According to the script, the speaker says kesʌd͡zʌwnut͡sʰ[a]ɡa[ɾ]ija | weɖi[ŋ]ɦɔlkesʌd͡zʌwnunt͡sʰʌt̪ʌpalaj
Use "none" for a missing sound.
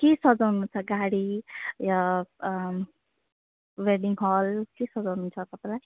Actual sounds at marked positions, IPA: ʌ, ɽ, ŋ

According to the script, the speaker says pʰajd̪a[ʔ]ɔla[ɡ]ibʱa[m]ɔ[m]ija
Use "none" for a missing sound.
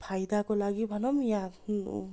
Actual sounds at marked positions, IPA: k, ɡ, n, m

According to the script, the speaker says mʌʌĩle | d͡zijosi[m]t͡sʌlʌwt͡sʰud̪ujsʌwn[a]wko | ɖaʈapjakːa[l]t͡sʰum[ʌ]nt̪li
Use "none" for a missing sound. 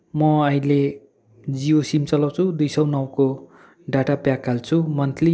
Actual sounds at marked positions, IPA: m, ʌ, l, ʌ

